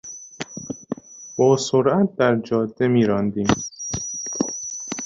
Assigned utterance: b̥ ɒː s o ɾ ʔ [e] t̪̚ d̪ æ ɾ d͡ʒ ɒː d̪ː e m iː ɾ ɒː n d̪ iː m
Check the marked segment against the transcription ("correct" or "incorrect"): incorrect